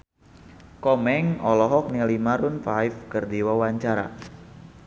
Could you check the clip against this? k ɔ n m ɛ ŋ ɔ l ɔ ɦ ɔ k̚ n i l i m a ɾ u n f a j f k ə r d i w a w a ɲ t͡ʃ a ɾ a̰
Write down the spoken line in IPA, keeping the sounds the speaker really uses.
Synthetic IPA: k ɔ m ɛ ŋ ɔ l ɔ ɦ ɔ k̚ n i l i m a ɾ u n f a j f k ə r d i w a w a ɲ t͡ʃ a ɾ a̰